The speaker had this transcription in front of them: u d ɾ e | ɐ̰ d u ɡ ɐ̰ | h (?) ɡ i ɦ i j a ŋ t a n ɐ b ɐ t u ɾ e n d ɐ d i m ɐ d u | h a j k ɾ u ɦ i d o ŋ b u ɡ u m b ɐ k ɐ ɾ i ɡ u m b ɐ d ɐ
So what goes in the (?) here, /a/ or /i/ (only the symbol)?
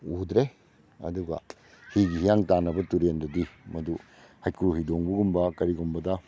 i